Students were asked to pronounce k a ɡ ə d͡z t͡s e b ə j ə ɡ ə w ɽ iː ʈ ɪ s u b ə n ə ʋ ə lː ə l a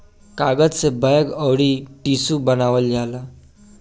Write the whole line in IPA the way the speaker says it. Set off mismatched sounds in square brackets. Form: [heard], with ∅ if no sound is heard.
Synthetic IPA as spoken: k a ɡ ə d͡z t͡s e b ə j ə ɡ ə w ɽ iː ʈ [i] s u b ə n [a] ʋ ə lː [a] l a

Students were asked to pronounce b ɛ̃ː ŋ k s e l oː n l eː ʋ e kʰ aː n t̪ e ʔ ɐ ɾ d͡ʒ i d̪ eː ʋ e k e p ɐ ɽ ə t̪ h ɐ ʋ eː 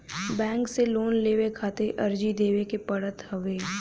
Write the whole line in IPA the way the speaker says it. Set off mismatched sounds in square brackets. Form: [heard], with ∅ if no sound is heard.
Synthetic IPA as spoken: b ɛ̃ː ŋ k s e l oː n l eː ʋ e kʰ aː [∅] t̪ e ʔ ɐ ɾ d͡ʒ i d̪ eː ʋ e k e p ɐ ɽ ə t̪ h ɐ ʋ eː

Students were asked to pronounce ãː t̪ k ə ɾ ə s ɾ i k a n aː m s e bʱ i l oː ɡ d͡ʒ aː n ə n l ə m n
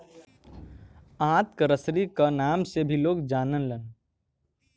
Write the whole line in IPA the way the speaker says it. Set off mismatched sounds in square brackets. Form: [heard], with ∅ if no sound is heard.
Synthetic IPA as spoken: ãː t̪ k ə ɾ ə s ɾ i k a n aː m s e bʱ i l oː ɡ d͡ʒ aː n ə n l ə [∅] n

